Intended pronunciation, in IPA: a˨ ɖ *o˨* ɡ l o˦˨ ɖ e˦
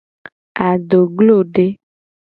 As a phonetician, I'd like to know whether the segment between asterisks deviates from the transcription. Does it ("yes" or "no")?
no